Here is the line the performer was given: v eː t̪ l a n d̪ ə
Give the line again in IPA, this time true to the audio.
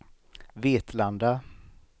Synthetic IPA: v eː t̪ l a n d̪ a